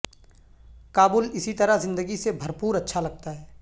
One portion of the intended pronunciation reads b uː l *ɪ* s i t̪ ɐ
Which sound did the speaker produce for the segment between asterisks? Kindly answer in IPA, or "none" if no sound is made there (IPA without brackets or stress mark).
ɪ